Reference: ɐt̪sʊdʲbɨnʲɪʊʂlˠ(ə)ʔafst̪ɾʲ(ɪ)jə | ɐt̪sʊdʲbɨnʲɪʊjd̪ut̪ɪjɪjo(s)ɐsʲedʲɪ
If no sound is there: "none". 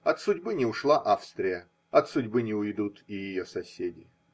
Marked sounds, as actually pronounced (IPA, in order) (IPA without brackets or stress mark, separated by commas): a, ɪ, s